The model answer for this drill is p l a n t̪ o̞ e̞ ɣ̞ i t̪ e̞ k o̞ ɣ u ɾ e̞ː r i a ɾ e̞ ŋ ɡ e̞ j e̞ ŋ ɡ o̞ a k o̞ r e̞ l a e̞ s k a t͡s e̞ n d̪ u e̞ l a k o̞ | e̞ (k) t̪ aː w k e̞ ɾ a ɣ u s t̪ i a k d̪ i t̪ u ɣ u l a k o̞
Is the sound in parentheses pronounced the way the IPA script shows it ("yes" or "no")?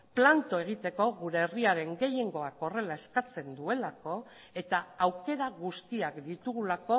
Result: no